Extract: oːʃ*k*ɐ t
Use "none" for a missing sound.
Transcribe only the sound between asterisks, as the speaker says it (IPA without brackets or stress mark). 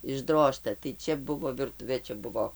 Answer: t